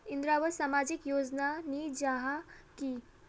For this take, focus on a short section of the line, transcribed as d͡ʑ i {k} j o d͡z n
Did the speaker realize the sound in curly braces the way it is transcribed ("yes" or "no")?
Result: yes